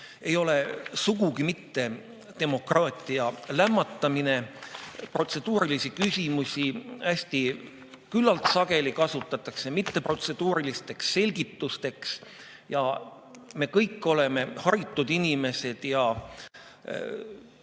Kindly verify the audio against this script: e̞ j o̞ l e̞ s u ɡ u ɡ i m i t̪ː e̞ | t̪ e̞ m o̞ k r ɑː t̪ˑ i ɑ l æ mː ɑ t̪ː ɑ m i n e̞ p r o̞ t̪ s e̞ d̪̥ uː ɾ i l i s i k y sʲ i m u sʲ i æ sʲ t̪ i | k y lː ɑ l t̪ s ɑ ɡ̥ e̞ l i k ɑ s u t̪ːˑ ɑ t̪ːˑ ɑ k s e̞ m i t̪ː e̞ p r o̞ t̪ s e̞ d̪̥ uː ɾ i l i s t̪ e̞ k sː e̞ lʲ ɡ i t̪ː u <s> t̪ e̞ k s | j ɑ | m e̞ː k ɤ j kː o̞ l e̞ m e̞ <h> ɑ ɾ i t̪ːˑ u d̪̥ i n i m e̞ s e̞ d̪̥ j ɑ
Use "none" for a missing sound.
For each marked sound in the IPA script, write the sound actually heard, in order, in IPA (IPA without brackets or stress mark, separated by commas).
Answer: s, h